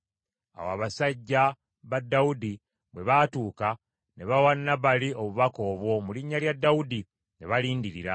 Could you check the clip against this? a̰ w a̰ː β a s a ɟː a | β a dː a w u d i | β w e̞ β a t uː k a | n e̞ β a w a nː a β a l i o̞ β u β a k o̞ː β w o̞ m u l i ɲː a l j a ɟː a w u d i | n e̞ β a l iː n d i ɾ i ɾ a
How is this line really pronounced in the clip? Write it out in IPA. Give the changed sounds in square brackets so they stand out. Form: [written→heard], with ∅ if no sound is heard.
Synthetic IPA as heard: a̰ w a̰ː β a s a ɟː a | β a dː a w u d i | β w e̞ β a t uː k a | n e̞ β a w a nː a β a l i o̞ β u β a k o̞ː β w o̞ m u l i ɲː a l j a [ɟː→dː] a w u d i | n e̞ β a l iː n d i ɾ i ɾ a